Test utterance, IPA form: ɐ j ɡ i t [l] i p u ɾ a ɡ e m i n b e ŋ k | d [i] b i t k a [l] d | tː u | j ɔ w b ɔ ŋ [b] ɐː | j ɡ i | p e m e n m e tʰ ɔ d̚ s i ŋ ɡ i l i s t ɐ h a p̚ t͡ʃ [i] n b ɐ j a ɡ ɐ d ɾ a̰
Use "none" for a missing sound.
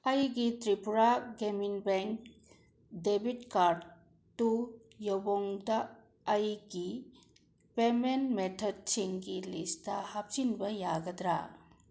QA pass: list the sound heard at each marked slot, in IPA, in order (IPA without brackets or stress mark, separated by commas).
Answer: ɾ, e, ɾ, d, i